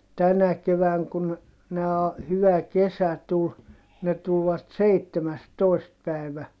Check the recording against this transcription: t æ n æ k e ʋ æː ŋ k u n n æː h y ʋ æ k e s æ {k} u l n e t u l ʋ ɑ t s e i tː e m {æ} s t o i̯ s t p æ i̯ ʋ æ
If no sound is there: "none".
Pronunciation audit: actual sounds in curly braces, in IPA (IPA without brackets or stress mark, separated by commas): t, æ